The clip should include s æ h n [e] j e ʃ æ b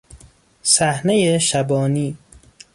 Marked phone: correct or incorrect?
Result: correct